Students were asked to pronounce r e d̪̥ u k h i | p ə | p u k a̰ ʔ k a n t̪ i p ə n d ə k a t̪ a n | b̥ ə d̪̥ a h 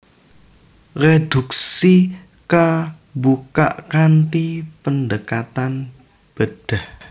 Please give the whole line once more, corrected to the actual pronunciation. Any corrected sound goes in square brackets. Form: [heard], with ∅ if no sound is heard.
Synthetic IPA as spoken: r e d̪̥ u k [s] i | [k] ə | [b] u k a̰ ʔ k a n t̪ i p ə n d ə k a t̪ a n | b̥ ə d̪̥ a h